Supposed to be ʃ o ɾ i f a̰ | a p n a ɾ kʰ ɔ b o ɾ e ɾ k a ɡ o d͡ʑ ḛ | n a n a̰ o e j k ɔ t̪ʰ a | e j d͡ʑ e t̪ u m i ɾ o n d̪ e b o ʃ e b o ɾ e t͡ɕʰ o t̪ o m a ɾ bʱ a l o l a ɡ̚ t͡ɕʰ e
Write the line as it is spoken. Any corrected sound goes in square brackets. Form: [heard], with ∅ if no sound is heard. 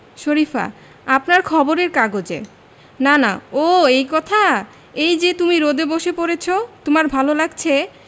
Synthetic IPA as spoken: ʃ o ɾ i f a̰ | a p n a ɾ kʰ ɔ b o ɾ e ɾ k a ɡ o d͡ʑ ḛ | n a n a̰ o e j k ɔ t̪ʰ a | e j d͡ʑ e t̪ u m i ɾ o [∅] d̪ e b o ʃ e [p] o ɾ e t͡ɕʰ o t̪ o m a ɾ bʱ a l o l a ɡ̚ t͡ɕʰ e

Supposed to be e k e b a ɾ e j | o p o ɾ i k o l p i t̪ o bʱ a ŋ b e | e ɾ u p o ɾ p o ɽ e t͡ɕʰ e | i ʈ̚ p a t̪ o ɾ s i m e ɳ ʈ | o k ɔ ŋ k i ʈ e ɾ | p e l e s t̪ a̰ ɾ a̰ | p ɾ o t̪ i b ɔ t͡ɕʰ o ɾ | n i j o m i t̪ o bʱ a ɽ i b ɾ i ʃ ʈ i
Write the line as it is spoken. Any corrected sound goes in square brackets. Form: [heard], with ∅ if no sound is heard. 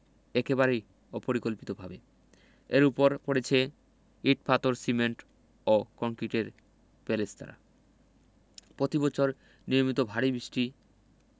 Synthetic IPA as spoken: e k e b a ɾ e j | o p o ɾ i k o l p i t̪ o bʱ a [∅] b e | e ɾ u p o ɾ p o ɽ e t͡ɕʰ e | i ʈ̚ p a t̪ o ɾ s i m e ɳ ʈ | o k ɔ ŋ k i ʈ e ɾ | p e l e s t̪ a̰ ɾ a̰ | p ɾ o t̪ i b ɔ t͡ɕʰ o ɾ | n i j o m i t̪ o bʱ a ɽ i b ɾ i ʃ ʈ i

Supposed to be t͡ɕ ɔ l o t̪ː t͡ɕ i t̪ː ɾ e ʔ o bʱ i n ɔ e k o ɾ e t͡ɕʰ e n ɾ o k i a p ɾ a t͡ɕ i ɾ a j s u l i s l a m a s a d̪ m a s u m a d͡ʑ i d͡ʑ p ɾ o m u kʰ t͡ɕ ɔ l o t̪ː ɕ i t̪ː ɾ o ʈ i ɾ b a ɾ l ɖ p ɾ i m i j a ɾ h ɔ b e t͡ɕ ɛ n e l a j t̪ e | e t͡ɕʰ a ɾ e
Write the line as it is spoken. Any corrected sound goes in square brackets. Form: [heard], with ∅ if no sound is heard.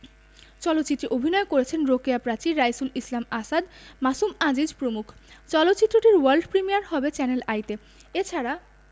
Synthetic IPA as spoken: t͡ɕ ɔ l o t̪ː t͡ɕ i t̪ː ɾ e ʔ o bʱ i n ɔ e k o ɾ e t͡ɕʰ e n ɾ o k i a p ɾ a t͡ɕ i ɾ a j s u l i s l a m a s a d̪ m a s u m a d͡ʑ i d͡ʑ p ɾ o m u kʰ t͡ɕ ɔ l o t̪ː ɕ i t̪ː ɾ o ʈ i ɾ [w] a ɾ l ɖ p ɾ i m i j a ɾ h ɔ b e t͡ɕ ɛ n e l a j t̪ e | e t͡ɕʰ a ɾ [a]

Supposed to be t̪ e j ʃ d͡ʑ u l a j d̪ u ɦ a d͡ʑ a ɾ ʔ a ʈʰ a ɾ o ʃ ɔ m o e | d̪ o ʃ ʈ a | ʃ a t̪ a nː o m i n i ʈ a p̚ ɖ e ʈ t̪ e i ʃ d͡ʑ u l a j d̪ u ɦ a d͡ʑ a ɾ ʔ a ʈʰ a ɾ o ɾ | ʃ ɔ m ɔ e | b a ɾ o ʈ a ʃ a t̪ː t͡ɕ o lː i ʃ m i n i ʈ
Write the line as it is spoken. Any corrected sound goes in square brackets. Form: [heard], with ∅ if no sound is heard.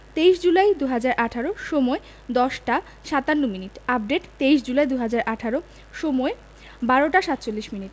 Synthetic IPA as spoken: t̪ e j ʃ d͡ʑ u l a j d̪ u ɦ a d͡ʑ a ɾ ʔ a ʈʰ a ɾ o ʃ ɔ m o e | d̪ [ɔ] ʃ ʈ a | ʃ a t̪ a nː o m i n i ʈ a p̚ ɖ e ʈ t̪ e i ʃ d͡ʑ u l a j d̪ u ɦ a d͡ʑ a ɾ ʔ a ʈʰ a ɾ o [∅] | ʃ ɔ m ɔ e | b a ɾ o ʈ a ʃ a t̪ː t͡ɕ o lː i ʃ m i n i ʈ

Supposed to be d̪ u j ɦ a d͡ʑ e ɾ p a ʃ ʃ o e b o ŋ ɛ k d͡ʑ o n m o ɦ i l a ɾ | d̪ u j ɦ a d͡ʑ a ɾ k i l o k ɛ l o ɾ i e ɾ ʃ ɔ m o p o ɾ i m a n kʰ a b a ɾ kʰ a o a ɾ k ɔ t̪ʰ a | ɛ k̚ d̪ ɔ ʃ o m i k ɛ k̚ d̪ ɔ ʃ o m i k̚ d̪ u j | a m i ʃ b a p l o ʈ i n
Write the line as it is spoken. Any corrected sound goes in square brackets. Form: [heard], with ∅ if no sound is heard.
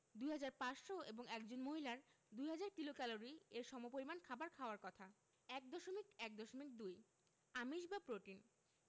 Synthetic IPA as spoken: d̪ u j ɦ a d͡ʑ [a] ɾ p a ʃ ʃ o e b o ŋ ɛ k d͡ʑ o n m o ɦ i l a ɾ | d̪ u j ɦ a d͡ʑ a ɾ k i l o k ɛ l o ɾ i e ɾ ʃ ɔ m o p o ɾ i m a n kʰ a b a ɾ kʰ a o a ɾ k ɔ t̪ʰ a | ɛ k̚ d̪ ɔ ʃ o m i k ɛ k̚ d̪ ɔ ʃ o m i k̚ d̪ u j | a m i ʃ b a p [ɾ] o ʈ i n

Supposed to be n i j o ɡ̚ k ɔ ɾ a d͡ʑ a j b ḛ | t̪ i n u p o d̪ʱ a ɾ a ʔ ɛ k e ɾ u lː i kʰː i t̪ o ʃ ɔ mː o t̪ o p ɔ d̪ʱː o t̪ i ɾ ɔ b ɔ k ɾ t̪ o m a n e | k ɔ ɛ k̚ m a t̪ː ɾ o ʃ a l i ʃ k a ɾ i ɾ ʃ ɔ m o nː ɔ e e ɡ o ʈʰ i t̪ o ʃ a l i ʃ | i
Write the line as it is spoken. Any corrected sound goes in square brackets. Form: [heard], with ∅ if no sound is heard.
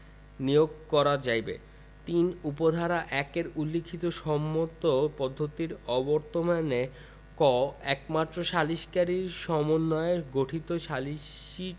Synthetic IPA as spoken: n i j o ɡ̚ k ɔ ɾ a d͡ʑ a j b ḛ | t̪ i n u p o d̪ʱ a ɾ a ʔ ɛ k e ɾ u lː i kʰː i t̪ o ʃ ɔ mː o t̪ o p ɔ d̪ʱː o t̪ i ɾ ɔ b ɔ [∅] ɾ t̪ o m a n e | k ɔ ɛ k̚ m a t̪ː ɾ o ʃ a l i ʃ k a ɾ i ɾ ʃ ɔ m o nː ɔ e e ɡ o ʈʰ i t̪ o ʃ a l i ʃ | i

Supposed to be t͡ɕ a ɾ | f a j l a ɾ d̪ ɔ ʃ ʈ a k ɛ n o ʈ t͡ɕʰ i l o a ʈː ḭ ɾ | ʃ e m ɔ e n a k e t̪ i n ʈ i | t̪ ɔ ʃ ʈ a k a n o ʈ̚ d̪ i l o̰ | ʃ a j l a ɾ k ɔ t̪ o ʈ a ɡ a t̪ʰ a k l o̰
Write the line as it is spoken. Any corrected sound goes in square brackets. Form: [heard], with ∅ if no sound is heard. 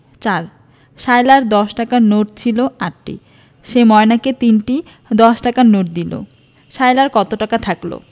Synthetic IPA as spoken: t͡ɕ a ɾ | [ʃ] a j l a ɾ d̪ ɔ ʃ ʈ a k [a] n o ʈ t͡ɕʰ i l o a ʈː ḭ [∅] | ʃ e m ɔ e n a k e t̪ i n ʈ i | [d̪] ɔ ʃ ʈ a k a n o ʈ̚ d̪ i l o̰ | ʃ a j l a ɾ k ɔ t̪ o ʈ a [k] a t̪ʰ a k l o̰

